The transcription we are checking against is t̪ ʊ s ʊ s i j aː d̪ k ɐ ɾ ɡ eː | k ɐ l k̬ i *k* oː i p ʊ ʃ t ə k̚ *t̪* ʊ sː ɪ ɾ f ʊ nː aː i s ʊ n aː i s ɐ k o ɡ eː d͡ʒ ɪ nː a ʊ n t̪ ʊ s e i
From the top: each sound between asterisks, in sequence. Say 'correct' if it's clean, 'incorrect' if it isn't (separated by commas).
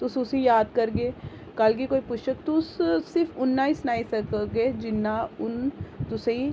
correct, correct